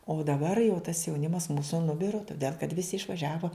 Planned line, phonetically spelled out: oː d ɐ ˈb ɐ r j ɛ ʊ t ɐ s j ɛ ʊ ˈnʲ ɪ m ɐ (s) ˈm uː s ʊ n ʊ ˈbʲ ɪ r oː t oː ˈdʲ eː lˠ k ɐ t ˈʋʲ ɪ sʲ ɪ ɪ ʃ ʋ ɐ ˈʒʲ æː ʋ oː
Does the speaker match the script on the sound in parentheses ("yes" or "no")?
yes